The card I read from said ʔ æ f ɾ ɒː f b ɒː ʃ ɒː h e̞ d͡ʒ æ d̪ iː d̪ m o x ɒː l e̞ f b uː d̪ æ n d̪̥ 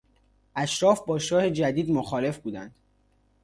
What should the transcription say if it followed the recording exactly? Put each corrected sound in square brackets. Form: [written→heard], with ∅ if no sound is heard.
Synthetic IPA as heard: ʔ æ [f→ʃ] ɾ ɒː f b ɒː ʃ ɒː h e̞ d͡ʒ æ d̪ iː d̪ m o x ɒː l e̞ f b uː d̪ æ n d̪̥